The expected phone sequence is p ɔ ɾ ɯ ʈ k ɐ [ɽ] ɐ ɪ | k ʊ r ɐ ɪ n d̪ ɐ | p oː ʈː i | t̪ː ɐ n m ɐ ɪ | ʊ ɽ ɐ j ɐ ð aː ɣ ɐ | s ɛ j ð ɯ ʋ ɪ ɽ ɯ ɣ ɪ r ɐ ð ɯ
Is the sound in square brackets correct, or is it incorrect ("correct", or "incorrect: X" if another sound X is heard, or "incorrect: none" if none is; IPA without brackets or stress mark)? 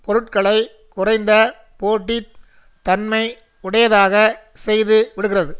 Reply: incorrect: ɭ